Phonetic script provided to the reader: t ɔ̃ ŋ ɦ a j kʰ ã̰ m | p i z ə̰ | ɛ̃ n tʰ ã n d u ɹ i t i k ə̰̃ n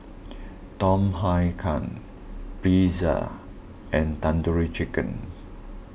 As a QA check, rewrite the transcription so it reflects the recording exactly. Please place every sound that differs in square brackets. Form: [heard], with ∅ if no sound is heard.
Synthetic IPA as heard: t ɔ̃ [m] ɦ a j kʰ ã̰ [n] | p i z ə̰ | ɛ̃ n [t] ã n d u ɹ i [t͡ʃ] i k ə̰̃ n